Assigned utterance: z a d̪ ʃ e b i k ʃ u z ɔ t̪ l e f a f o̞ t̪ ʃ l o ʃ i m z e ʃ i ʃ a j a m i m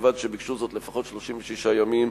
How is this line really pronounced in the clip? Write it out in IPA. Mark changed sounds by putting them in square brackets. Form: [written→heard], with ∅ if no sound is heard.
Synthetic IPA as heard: [z→v] a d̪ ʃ e b i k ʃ u z [ɔ→o] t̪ l e f a [f→χ] o̞ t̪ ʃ l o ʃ i m [z→v] e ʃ i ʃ a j a m i m